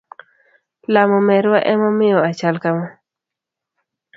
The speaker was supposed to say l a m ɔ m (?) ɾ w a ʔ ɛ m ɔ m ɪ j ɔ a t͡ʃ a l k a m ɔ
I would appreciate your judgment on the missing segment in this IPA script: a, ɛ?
ɛ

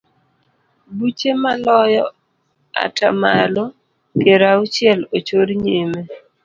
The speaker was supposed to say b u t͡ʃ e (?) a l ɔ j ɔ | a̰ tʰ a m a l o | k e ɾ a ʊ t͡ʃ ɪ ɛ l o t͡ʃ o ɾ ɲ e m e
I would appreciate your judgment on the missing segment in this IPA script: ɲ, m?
m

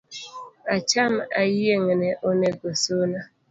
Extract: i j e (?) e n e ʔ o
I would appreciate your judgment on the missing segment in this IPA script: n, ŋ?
ŋ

